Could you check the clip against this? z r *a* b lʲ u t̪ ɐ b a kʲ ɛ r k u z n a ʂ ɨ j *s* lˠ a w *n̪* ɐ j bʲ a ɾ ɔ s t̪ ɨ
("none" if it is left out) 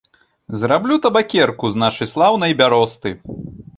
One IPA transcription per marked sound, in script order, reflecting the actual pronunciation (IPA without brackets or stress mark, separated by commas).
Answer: a, s, n̪